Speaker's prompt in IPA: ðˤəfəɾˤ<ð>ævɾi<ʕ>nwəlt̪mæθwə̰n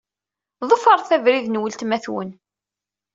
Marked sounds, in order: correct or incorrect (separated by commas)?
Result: incorrect, incorrect